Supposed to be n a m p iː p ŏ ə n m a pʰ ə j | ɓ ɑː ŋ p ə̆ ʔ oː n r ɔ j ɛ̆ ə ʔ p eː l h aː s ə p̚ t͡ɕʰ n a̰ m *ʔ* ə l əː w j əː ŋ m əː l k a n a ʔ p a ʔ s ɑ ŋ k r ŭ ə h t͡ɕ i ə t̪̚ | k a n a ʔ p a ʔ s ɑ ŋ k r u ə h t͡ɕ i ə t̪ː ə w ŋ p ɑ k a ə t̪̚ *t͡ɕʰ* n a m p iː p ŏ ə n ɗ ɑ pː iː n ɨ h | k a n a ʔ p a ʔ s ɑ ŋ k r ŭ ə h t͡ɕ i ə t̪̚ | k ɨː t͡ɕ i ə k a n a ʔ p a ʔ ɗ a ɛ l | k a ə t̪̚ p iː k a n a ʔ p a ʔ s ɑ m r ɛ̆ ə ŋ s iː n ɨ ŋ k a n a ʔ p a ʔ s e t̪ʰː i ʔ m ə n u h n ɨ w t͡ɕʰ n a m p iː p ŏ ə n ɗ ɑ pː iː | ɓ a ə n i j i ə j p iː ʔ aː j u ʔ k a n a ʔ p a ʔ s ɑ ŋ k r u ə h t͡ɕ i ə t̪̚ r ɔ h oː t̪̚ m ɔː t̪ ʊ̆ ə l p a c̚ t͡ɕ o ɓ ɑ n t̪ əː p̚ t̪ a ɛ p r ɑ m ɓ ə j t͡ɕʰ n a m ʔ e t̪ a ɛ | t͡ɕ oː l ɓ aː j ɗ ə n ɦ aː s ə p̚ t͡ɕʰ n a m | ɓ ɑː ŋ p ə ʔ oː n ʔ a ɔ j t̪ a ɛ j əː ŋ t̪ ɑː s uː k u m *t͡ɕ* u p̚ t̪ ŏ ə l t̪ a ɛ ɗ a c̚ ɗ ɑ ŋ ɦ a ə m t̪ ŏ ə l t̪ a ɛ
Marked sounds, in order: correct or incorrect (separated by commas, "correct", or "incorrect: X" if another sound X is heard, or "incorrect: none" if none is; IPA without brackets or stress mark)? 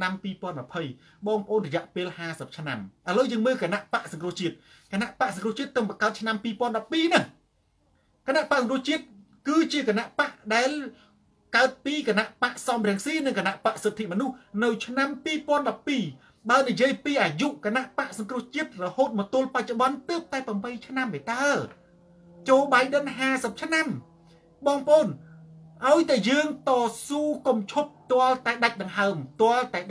correct, correct, incorrect: t͡ɕʰ